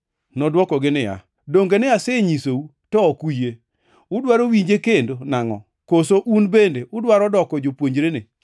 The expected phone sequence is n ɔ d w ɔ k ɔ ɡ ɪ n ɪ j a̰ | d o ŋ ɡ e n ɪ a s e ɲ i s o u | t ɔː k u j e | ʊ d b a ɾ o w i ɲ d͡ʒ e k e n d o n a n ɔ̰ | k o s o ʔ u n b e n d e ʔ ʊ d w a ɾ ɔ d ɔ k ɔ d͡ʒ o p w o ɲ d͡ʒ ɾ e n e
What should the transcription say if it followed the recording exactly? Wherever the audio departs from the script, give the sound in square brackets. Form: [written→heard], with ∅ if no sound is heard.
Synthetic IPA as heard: n ɔ d w ɔ k ɔ ɡ ɪ n ɪ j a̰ | d o ŋ ɡ e n ɪ a s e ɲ i s o u | t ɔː k u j e | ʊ d [b→w] a ɾ o w i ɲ d͡ʒ e k e n d o n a [n→ŋ] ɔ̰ | k o s o ʔ u n b e n d e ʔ ʊ d w a ɾ ɔ d ɔ k ɔ d͡ʒ o p w o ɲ d͡ʒ ɾ e n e